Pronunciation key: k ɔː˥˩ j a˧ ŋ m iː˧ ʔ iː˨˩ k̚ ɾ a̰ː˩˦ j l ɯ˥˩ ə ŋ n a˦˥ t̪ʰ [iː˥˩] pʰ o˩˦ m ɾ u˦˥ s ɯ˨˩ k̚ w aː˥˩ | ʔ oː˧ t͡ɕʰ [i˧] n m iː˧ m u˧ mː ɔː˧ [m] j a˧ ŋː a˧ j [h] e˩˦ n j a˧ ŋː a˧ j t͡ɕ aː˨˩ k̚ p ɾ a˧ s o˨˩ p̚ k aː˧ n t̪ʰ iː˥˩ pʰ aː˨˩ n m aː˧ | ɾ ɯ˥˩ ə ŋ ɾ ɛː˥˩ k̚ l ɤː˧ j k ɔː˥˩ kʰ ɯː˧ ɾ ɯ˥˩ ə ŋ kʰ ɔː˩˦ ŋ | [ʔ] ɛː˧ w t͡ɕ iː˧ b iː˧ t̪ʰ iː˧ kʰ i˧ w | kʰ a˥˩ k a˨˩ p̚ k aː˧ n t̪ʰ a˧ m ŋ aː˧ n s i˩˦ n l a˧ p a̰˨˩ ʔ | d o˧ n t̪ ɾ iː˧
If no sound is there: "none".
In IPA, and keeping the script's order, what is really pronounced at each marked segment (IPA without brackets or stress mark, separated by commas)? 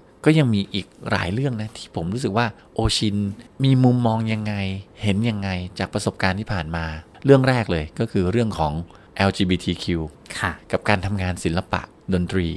iː˥˩, i˧, ŋ, h, ʔ